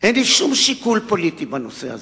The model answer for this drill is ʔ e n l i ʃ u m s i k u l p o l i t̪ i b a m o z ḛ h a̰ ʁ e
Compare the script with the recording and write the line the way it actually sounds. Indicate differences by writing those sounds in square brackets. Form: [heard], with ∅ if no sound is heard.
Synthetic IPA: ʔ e n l i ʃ u m [ʃ] i k u l p o l i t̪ i b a [n] o [s] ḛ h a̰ [z] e